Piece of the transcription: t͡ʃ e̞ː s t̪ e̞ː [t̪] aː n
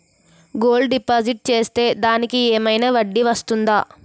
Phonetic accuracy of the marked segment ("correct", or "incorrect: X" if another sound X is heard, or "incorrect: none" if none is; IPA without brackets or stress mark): incorrect: d̪